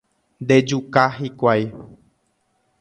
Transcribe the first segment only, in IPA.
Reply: n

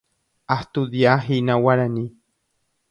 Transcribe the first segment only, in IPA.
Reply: a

